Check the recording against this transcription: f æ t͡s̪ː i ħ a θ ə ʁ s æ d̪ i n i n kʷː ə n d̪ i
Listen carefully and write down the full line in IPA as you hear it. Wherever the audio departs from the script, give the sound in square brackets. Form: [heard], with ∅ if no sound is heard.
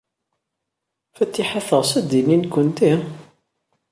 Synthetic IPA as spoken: f æ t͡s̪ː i ħ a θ ə ʁ s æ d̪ i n i n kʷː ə n [t̪] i